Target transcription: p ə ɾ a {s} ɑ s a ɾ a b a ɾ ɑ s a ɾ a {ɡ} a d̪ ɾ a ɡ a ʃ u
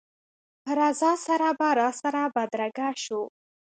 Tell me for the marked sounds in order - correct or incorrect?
incorrect: z, incorrect: b

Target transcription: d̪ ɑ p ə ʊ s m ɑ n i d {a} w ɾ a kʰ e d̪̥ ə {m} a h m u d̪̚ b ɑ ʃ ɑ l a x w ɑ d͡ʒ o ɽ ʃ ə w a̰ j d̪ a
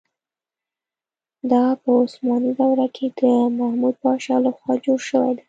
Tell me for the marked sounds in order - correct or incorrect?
correct, correct

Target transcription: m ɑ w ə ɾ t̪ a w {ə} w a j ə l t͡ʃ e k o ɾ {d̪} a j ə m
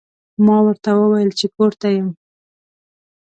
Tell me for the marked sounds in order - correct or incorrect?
correct, incorrect: t̪

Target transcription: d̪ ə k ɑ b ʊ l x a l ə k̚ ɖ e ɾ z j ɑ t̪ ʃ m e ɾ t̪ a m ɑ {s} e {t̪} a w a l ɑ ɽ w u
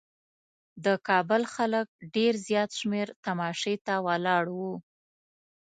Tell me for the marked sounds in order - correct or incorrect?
incorrect: ʃ, correct

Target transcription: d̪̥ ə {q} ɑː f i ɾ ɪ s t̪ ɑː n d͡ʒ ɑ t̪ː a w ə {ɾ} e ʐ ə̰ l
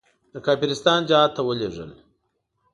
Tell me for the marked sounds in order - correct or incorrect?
incorrect: k, incorrect: l

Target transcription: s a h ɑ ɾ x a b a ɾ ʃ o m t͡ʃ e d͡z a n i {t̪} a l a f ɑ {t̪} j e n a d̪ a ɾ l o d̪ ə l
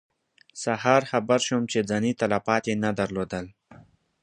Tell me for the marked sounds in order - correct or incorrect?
correct, correct

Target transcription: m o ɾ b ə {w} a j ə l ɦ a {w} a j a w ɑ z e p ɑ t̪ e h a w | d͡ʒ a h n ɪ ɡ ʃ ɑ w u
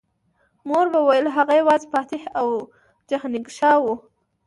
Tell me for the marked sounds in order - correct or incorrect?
correct, incorrect: ɣ

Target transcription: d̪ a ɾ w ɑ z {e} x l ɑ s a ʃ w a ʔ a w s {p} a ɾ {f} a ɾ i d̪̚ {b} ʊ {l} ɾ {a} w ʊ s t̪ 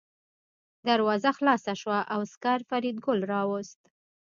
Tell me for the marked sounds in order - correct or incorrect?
incorrect: a, incorrect: k, correct, incorrect: ɡ, correct, incorrect: ɑ

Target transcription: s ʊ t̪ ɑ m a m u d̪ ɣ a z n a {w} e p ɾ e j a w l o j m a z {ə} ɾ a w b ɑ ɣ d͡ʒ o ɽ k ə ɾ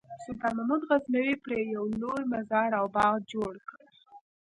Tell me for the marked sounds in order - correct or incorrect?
correct, incorrect: ɑ

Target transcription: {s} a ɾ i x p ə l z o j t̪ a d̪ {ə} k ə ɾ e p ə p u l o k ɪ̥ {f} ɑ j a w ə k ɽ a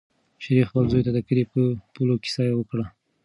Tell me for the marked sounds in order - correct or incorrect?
incorrect: ʃ, correct, incorrect: s

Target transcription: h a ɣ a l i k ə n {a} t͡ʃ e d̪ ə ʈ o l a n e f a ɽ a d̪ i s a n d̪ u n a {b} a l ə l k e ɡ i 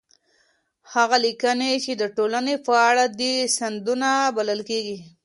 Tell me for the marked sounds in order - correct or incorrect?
incorrect: e, correct

